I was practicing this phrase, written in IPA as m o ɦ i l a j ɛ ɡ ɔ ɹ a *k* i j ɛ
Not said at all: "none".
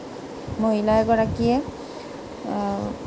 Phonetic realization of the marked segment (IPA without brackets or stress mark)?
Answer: k